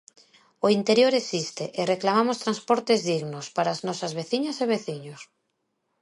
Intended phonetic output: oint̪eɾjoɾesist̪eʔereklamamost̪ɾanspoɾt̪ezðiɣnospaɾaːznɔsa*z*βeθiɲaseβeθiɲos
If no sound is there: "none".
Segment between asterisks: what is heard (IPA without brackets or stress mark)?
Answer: z